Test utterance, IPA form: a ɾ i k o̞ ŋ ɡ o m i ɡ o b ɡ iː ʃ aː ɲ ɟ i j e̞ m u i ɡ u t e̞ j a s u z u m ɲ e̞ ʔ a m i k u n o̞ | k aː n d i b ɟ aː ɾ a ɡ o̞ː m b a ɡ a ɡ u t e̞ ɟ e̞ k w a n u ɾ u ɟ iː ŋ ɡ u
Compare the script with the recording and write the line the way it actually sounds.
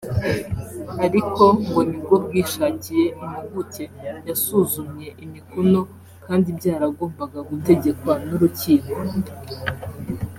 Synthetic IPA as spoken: a ɾ i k o̞ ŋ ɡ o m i ɡ o b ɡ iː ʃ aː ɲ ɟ i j e̞ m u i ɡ u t e̞ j a s u z u m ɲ e̞ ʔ i m i k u n o̞ | k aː n d i b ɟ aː ɾ a ɡ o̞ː m b a ɡ a ɡ u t e̞ ɟ e̞ k w a n u ɾ u c iː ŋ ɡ o